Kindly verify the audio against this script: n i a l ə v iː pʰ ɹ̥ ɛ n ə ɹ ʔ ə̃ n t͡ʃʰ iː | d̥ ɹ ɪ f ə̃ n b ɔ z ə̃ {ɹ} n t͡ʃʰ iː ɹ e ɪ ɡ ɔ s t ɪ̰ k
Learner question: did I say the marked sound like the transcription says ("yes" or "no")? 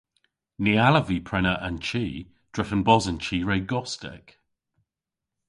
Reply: no